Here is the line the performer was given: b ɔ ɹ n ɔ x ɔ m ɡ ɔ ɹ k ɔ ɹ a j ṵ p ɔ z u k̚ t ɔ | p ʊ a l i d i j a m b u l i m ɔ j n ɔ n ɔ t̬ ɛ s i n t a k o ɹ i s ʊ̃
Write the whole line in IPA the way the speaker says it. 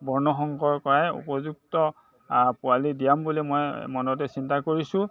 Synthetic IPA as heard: b ɔ ɹ n ɔ x ɔ ŋ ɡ ɔ ɹ k ɔ ɹ a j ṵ p ɔ z u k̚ t ɔ | p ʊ a l i d i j a m b u l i m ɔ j m ɔ n ɔ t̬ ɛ s i n t a k o ɹ i s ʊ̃